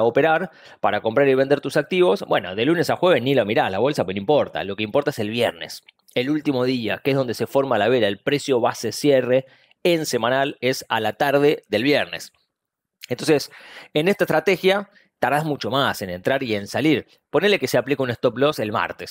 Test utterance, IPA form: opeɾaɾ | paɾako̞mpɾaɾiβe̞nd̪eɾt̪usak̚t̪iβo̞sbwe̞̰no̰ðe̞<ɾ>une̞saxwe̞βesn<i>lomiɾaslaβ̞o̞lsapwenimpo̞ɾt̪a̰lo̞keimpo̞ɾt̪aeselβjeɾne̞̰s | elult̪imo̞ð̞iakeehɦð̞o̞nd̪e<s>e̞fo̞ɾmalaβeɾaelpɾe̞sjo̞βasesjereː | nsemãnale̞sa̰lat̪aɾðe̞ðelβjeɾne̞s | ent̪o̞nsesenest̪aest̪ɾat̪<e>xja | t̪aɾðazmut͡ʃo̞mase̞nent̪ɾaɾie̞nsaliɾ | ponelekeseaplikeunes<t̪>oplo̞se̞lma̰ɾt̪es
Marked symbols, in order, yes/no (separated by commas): no, yes, yes, yes, yes